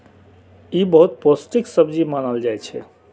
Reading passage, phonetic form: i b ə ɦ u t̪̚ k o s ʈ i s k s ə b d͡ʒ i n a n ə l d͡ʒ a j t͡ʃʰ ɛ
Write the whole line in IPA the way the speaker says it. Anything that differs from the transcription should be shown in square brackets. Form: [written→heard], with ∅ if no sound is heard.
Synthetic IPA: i b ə ɦ u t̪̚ [k→p] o s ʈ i [s→∅] k s ə b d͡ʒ i [n→m] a n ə l d͡ʒ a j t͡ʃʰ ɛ